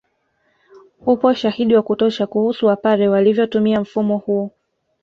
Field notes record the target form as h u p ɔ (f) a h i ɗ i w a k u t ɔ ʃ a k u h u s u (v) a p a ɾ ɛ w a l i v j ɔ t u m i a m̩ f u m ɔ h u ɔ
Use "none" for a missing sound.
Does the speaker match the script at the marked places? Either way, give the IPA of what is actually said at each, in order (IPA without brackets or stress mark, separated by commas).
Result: ʃ, w